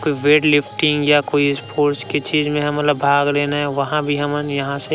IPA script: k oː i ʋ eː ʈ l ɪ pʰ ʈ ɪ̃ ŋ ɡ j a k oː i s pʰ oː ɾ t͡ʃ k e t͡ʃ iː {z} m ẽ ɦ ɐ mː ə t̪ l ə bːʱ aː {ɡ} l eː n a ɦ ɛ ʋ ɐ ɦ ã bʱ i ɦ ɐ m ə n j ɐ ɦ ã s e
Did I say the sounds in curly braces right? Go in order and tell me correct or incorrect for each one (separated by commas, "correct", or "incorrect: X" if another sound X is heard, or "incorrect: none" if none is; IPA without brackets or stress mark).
correct, correct